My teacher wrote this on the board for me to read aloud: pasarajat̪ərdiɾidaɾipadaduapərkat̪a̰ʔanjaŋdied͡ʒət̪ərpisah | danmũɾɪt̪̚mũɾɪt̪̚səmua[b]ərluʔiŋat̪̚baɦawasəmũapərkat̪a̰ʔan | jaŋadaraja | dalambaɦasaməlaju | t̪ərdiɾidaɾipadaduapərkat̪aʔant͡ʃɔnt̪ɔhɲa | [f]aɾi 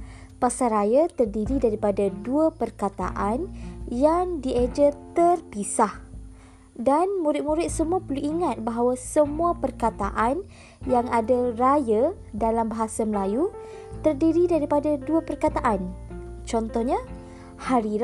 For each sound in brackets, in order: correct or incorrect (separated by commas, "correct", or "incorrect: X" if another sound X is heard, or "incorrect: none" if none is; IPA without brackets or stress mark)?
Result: incorrect: p, incorrect: h